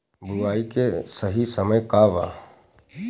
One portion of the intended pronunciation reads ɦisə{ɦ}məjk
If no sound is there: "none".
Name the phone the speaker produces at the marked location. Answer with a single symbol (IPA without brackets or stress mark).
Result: none